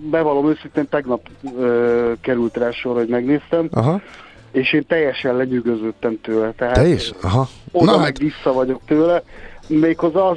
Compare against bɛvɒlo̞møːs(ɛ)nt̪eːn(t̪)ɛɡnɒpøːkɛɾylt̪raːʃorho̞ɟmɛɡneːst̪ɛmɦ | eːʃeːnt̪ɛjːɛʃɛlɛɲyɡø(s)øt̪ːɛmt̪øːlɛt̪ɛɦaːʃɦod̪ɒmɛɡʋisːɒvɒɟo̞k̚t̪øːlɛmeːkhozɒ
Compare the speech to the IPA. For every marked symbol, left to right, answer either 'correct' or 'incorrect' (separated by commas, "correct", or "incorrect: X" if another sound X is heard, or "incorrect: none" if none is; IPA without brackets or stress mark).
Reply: incorrect: i, correct, incorrect: z